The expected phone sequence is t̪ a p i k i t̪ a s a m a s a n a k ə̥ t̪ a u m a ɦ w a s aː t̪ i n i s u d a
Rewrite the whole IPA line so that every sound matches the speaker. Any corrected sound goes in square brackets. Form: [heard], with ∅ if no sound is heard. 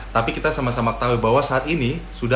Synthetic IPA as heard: t̪ a p i k i t̪ a s a m a s a [m] a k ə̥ t̪ a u [b] a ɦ w a s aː t̪ i n i s u d a